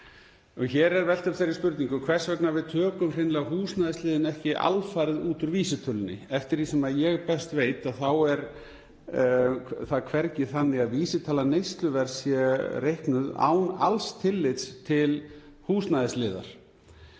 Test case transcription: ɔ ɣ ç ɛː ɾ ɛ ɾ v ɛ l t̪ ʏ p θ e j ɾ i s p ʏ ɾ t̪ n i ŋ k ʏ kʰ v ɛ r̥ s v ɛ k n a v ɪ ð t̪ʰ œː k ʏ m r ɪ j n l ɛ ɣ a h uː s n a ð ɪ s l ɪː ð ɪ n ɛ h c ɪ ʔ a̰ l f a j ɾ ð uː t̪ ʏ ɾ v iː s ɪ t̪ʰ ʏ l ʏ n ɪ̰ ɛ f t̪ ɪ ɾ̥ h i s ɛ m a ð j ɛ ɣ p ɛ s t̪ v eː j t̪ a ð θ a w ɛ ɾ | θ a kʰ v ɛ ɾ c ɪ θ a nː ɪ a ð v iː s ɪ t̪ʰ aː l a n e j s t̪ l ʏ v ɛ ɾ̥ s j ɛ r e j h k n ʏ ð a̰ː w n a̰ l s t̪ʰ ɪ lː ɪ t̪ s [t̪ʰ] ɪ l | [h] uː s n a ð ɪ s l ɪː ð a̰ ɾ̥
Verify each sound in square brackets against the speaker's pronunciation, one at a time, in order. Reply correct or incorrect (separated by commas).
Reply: correct, correct